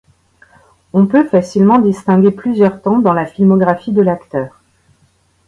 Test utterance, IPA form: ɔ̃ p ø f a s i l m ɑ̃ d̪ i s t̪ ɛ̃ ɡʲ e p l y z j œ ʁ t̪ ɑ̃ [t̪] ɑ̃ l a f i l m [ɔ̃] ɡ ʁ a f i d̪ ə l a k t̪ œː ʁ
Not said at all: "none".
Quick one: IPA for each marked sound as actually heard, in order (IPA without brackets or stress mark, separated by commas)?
d̪, ɔ